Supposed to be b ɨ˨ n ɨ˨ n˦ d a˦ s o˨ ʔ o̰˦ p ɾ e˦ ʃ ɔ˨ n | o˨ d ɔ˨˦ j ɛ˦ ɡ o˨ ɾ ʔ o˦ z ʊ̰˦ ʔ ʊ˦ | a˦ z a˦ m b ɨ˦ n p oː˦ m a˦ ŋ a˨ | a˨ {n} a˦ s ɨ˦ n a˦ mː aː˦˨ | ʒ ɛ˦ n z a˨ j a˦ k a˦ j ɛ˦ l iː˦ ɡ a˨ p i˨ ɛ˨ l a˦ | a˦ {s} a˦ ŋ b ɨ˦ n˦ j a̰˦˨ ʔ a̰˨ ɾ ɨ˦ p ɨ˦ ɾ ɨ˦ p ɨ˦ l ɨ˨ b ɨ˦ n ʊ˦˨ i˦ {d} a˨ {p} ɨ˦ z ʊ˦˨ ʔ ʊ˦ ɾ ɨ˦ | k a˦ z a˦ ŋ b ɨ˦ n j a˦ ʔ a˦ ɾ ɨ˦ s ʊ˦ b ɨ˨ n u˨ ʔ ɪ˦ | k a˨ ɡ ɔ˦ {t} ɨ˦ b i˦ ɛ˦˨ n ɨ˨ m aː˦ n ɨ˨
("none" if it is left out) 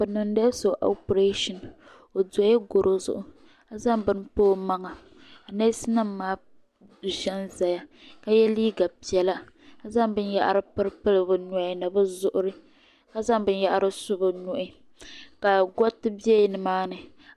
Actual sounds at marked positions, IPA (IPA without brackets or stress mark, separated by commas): n, z, n, b, t